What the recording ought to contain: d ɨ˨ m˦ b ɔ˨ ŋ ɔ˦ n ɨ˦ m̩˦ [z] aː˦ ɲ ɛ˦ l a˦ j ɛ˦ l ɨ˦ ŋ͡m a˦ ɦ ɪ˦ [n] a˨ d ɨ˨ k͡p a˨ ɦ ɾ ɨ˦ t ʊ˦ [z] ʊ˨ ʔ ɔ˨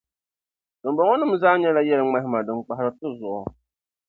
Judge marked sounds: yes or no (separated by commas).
yes, no, yes